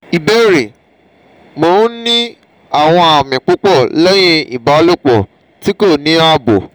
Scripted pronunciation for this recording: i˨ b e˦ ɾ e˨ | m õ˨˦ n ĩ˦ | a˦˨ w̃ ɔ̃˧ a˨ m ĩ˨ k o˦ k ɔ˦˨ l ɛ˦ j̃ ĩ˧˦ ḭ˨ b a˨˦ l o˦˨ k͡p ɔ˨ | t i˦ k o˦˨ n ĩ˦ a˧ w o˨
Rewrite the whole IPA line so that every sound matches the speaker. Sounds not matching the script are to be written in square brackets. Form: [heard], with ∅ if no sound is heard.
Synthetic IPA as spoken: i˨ b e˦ ɾ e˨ | m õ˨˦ n ĩ˦ | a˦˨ w̃ ɔ̃˧ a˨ m ĩ˨ [k͡p] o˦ [k͡p] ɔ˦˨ l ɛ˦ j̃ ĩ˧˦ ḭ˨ b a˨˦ l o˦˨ k͡p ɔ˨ | t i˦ k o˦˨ n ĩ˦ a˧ [b] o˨